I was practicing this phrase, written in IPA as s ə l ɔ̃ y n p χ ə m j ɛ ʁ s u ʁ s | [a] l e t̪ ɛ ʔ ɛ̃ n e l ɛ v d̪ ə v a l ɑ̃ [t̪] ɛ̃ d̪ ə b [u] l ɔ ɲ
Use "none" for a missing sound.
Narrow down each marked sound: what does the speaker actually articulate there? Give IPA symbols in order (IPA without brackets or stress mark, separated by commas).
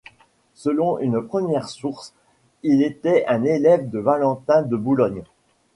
i, t̪, u